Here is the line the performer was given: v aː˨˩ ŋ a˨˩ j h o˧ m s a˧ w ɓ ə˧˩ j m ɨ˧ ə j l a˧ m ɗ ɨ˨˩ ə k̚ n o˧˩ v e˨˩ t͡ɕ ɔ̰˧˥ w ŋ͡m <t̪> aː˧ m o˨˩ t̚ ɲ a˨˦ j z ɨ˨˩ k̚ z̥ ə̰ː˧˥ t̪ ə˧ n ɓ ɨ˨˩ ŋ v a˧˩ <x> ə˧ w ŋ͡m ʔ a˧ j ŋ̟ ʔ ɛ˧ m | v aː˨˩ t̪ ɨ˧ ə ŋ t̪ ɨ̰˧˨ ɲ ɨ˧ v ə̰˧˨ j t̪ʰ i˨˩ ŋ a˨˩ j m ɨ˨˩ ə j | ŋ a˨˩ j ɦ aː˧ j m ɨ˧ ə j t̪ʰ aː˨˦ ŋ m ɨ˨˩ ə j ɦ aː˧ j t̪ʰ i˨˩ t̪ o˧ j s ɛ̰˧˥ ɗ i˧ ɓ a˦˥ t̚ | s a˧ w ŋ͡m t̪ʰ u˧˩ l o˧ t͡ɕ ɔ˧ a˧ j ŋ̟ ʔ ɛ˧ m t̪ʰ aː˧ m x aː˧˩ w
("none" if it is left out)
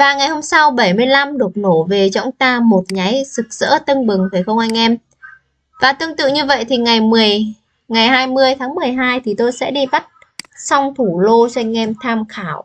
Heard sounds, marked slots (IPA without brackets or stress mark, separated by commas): t̪, x